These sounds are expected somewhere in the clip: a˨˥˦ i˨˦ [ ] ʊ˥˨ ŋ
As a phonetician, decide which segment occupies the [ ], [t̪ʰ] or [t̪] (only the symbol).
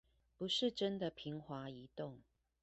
t̪